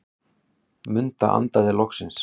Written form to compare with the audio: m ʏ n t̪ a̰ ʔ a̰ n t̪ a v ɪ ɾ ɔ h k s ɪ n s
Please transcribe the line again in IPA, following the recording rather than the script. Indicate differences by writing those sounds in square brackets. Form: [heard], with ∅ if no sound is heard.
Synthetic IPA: m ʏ n t̪ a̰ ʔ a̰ n t̪ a [ð] ɪ [l] ɔ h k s ɪ n s